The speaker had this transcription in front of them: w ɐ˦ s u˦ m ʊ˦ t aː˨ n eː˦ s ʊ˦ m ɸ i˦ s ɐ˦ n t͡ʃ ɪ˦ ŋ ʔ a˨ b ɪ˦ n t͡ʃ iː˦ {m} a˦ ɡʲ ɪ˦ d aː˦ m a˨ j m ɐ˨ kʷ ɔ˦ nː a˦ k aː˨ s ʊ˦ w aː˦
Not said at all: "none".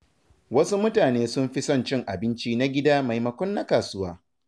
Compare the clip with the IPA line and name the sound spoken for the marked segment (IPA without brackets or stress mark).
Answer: n